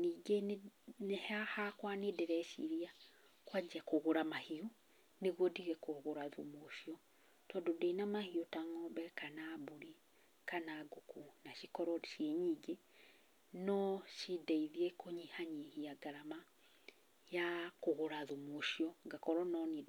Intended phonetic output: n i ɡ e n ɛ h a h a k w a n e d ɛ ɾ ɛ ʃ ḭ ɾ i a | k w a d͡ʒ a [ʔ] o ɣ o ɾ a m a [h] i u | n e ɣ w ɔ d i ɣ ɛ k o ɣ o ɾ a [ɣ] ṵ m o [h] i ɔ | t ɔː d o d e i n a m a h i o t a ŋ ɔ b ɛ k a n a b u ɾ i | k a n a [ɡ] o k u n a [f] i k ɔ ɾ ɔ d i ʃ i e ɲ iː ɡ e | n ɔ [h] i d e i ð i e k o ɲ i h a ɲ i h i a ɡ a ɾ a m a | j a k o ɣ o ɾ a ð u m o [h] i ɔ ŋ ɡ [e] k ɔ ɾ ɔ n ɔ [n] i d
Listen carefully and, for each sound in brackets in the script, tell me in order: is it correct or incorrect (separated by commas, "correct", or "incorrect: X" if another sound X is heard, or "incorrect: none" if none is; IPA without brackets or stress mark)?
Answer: incorrect: k, correct, incorrect: ð, incorrect: ʃ, correct, incorrect: ʃ, incorrect: ʃ, incorrect: ʃ, incorrect: a, correct